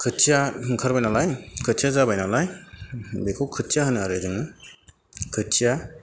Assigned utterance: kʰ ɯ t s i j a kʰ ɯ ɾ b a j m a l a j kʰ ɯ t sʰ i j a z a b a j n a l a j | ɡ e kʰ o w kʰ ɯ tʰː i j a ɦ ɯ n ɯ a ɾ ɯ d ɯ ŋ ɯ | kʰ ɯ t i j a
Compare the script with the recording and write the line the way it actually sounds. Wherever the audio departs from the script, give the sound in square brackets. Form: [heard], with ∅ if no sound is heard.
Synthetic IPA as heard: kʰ ɯ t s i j a kʰ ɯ ɾ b a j [n] a l a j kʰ ɯ t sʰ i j a z a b a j n a l a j | [b] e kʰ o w kʰ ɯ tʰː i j a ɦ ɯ n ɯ a ɾ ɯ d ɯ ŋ ɯ | kʰ ɯ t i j a